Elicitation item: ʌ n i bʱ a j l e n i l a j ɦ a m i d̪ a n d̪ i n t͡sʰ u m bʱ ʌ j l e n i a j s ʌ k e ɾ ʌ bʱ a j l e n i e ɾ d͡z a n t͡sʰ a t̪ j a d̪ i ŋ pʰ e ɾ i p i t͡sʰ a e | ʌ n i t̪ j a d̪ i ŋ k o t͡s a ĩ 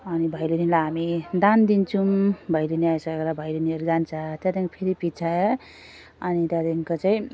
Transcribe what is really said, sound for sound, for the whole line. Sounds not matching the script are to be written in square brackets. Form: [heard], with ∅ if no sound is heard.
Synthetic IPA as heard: ʌ n i bʱ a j l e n i l a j ɦ a m i d̪ a n d̪ i n t͡sʰ u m bʱ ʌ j l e n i a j s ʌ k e ɾ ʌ bʱ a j l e n i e ɾ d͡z a n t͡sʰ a t̪ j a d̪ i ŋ pʰ e ɾ i p i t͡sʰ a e | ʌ n i t̪ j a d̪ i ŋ k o t͡s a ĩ